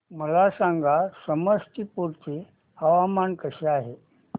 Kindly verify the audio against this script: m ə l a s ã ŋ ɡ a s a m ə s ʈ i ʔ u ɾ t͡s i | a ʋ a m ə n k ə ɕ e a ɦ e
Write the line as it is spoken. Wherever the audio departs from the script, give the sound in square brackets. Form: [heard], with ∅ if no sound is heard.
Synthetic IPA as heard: m ə l a s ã ŋ ɡ a s [ə] m ə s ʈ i [p] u ɾ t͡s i | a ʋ a m [a] n k ə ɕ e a ɦ e

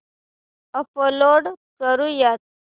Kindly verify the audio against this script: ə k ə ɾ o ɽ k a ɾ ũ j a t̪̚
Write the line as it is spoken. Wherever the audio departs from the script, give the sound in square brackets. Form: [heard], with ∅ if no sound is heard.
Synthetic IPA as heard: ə [p] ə [l] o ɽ k [ə] ɾ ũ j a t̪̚

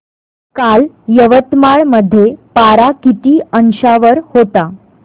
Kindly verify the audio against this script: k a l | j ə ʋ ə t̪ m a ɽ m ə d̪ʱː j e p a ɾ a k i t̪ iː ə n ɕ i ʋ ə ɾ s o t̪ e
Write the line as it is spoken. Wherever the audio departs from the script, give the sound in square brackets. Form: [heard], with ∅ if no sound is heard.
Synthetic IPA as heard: k a l | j ə ʋ ə t̪ m a [ɭ] m ə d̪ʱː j e p a ɾ a k i t̪ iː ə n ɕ [a] ʋ ə ɾ [h] o t̪ [a]

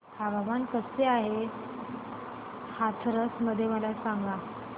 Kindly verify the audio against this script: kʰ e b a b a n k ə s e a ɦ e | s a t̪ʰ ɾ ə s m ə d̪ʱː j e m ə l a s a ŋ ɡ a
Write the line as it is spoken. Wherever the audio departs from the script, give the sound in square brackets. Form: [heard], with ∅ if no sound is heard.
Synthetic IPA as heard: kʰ [a] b a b a n k ə s e a ɦ e | [h] a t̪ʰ ɾ ə s m ə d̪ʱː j e m ə l a s a ŋ ɡ a

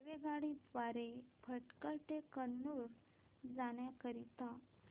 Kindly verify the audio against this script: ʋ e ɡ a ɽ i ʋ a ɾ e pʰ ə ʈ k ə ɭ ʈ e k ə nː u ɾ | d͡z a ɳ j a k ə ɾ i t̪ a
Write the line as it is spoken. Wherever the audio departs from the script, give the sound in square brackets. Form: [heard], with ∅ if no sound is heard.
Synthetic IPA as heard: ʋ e ɡ a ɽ i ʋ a ɾ e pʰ ə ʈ k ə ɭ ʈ e k ə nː u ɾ | d͡z a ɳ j a k ə ɾ i t̪ a

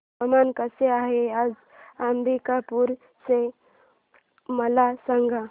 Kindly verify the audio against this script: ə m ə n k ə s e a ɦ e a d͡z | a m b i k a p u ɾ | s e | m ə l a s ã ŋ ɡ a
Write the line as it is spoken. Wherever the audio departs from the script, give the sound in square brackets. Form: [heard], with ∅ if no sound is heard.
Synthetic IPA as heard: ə m [a] n k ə s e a ɦ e a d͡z | a m b i k a p u ɾ | s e | m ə l a s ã ŋ ɡ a

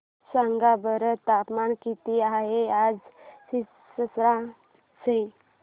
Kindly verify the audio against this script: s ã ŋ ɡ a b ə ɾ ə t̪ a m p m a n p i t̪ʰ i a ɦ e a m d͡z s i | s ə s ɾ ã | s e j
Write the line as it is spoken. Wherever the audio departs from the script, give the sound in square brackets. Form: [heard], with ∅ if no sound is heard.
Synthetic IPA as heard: s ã ŋ ɡ a b ə ɾ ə t̪ a [∅] p m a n [k] i [t̪] i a ɦ e a [∅] d͡z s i | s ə s ɾ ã | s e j

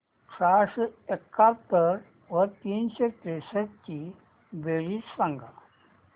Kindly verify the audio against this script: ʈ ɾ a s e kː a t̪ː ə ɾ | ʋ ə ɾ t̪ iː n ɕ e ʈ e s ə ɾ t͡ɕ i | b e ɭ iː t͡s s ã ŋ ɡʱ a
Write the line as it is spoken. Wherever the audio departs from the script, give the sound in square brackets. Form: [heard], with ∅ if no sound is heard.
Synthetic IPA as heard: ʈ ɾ a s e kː a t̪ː ə ɾ | ʋ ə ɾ t̪ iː n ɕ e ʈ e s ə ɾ t͡ɕ i | b e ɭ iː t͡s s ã ŋ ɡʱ a

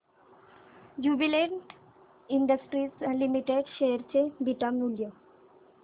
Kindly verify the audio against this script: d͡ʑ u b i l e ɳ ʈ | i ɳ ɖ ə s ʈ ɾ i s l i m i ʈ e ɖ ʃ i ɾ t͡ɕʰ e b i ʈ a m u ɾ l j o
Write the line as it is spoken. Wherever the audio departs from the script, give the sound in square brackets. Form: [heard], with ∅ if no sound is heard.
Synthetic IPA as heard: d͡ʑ u b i l e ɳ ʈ | i ɳ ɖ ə s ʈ ɾ i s l i m i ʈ e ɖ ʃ [e] ɾ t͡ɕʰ e b i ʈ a m u [∅] l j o

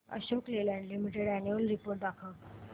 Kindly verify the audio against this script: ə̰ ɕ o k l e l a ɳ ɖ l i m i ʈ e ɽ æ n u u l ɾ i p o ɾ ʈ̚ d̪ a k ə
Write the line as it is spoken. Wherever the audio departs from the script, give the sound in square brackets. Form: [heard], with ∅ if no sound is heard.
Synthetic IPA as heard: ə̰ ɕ o k l e l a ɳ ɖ l i m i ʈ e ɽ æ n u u l ɾ i p o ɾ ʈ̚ d̪ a [kʰ] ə

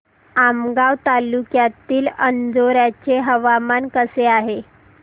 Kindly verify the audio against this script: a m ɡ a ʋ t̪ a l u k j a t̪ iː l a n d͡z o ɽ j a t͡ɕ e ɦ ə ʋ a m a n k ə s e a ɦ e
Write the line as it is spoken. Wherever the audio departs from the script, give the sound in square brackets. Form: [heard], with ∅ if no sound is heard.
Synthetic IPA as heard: a m ɡ a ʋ t̪ a l u k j a t̪ iː l [ə] n d͡z o [ɾ] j a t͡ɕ e ɦ ə ʋ a m a n k ə s e a ɦ e

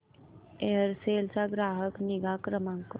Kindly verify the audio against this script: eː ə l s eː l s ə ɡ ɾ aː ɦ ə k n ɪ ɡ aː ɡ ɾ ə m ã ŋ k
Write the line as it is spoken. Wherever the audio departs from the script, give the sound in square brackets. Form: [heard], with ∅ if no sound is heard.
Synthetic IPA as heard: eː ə [ɾ] s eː l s [a] ɡ ɾ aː ɦ ə k n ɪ ɡ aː [k] ɾ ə m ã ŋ k

